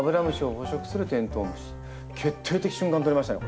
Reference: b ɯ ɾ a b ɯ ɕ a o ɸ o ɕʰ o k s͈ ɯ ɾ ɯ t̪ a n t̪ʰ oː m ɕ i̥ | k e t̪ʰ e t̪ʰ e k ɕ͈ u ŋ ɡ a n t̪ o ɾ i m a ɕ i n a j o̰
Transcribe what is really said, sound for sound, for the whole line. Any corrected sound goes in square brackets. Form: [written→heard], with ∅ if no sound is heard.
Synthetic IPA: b ɯ ɾ a [b→m] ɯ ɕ [a→i] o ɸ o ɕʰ o k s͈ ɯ ɾ ɯ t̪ [a→e] n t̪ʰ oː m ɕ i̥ | k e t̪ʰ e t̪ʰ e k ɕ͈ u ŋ ɡ a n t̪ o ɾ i m a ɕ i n a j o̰